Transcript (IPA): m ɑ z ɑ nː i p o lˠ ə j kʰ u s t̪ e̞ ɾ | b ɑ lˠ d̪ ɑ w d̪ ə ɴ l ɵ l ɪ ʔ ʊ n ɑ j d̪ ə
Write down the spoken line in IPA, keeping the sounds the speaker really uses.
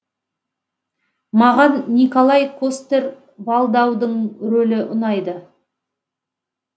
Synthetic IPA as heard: m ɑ ʁ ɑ nː i k o lˠ ɑ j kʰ o s t̪ e̞ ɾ | b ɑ lˠ d̪ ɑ w d̪ ə ɴ ɾ ɵ l ɪ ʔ ʊ n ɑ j d̪ ə